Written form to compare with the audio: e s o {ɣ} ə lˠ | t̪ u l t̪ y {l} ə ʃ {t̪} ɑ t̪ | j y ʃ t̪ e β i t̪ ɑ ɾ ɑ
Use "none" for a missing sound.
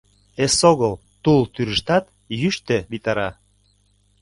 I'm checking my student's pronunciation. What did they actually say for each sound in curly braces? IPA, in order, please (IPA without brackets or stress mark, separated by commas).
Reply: ɣ, ɾ, t̪